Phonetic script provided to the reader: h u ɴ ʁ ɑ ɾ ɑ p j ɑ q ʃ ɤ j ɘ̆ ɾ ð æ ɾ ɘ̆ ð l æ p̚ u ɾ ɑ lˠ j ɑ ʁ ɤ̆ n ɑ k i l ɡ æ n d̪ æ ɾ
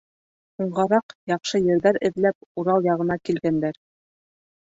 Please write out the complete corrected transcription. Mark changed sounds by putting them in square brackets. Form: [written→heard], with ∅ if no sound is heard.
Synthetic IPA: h u ɴ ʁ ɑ ɾ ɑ [p→q] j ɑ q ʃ ɤ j ɘ̆ ɾ ð æ ɾ ɘ̆ ð l æ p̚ u ɾ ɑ lˠ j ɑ ʁ ɤ̆ n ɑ k i l ɡ æ n d̪ æ ɾ